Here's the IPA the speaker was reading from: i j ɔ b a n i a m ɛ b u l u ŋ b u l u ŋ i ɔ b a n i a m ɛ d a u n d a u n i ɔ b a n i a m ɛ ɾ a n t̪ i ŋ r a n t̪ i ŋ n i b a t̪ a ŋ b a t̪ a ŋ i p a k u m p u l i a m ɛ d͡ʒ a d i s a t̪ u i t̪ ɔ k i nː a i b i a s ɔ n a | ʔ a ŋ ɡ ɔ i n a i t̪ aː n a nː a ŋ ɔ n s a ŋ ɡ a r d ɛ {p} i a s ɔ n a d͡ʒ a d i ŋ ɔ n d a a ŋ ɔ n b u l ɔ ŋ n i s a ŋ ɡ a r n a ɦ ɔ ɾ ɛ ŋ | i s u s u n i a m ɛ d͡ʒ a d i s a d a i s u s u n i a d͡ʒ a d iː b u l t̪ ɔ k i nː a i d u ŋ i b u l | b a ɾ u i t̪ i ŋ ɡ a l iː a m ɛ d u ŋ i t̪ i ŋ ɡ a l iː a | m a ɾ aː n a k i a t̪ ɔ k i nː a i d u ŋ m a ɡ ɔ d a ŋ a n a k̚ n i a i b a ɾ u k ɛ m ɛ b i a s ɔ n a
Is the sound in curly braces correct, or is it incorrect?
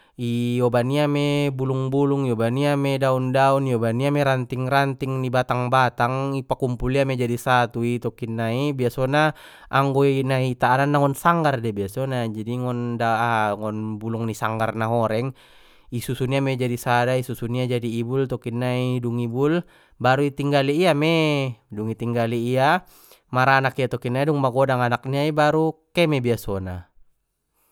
incorrect